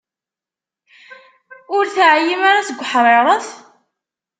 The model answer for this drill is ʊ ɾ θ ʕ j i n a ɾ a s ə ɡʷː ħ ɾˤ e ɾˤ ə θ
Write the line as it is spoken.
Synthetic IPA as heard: ʊ ɾ θ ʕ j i m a ɾ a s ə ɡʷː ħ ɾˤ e ɾˤ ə θ